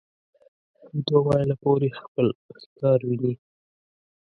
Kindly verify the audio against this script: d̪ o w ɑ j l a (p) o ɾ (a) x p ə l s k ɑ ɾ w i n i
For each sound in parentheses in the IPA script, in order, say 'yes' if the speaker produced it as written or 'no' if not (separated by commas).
yes, no